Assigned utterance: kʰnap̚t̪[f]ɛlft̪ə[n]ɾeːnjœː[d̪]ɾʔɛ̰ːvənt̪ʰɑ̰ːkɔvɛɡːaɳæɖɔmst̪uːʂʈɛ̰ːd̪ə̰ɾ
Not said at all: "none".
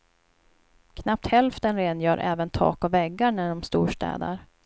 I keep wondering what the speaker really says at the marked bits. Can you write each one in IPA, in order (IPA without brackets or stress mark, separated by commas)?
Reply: h, n, none